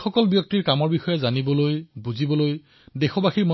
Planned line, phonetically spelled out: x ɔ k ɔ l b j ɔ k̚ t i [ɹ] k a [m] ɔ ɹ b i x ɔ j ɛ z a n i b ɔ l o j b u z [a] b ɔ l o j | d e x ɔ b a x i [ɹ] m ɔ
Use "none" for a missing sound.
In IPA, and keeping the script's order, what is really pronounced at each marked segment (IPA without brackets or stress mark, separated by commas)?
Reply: ɹ, m, i, ɹ